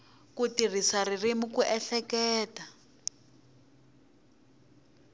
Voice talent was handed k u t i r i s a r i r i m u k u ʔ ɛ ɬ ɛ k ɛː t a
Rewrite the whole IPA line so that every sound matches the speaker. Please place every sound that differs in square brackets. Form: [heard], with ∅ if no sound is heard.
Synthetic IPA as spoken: k u t i r i s a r i r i m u k u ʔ ɛ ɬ ɛ k ɛː t a